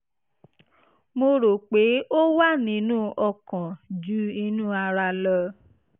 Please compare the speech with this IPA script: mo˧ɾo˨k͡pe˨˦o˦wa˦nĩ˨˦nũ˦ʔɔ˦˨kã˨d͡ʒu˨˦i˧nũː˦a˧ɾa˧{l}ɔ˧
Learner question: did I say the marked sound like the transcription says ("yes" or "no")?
yes